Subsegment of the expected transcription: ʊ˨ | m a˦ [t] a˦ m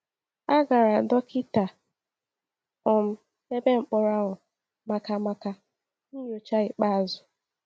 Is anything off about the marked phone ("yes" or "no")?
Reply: yes